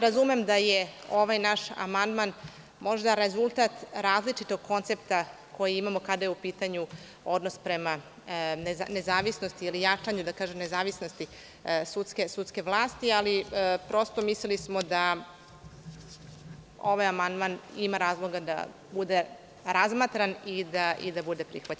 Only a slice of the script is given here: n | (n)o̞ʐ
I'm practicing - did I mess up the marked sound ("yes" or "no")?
yes